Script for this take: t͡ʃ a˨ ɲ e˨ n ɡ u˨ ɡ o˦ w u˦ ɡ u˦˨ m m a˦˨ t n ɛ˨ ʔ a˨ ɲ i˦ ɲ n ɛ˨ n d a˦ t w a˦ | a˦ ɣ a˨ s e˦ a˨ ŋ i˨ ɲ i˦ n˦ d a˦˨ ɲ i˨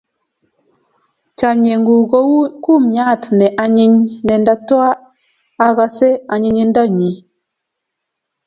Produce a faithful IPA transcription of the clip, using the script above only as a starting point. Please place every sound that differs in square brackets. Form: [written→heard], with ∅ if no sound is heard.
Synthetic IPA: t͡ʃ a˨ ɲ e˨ [n→ŋ] ɡ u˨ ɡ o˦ w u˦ [ɡ→k] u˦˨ m [m→ɲ] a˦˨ t n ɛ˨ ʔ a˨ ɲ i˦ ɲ n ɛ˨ n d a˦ t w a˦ | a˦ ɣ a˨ s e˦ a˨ [ŋ→ɲ] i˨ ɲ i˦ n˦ d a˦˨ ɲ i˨